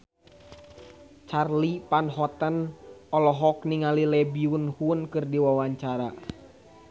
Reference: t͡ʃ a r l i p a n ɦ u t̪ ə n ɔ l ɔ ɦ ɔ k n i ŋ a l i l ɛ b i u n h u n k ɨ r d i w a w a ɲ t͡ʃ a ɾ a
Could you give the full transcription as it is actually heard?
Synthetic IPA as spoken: t͡ʃ a r l i p a n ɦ ɔ t̪ ə n ɔ l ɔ ɦ ɔ k n i ŋ a l i l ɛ b i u n h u n k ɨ r d i w a w a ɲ t͡ʃ a ɾ a